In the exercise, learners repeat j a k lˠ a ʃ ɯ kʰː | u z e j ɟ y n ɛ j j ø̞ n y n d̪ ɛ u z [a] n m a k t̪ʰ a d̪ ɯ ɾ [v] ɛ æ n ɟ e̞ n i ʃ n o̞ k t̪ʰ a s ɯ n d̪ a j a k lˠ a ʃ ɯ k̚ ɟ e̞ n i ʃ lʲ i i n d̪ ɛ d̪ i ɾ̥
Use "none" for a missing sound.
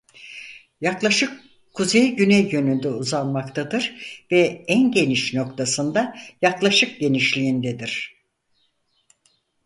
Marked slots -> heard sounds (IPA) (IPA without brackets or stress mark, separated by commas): a, v